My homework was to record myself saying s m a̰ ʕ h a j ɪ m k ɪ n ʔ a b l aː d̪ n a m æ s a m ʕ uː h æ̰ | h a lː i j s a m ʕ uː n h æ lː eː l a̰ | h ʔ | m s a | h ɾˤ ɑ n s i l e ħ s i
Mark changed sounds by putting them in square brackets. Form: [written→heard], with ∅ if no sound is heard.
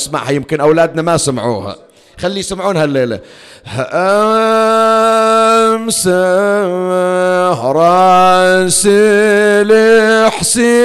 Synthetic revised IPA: s m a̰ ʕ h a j ɪ m k ɪ n ʔ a [b→w] l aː d̪ n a m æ s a m ʕ uː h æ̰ | [h→x] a lː i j s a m ʕ uː n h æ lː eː l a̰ | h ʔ | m s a | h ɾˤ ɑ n s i l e ħ s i